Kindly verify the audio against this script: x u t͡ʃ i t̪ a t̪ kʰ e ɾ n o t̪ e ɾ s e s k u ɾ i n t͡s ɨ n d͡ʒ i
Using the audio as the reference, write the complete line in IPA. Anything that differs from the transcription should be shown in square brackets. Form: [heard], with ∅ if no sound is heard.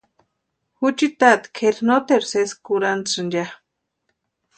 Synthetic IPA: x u t͡ʃ i t̪ a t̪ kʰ e ɾ n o t̪ e ɾ s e s k u ɾ [a] n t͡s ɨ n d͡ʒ [a]